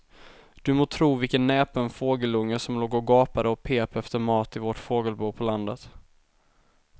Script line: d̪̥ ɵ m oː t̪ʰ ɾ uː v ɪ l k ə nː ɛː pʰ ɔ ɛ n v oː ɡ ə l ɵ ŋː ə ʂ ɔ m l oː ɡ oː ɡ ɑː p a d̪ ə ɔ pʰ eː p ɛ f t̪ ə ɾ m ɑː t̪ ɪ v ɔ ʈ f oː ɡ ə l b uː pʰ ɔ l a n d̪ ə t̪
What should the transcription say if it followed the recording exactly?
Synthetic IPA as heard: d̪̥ ɵ m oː t̪ʰ ɾ uː v ɪ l k ə nː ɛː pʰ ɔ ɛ n f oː ɡ ə l ɵ ŋː ə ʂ ɔ m l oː ɡ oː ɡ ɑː p a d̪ ə ɔ pʰ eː p ɛ f t̪ ə ɾ m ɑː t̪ ɪ v ɔ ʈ f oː ɡ ə l b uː pʰ ɔ l a n d̪ ə t̪